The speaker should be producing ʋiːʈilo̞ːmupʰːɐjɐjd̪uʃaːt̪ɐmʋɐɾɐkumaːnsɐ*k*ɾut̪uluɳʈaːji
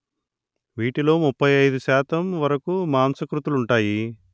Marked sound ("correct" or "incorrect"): correct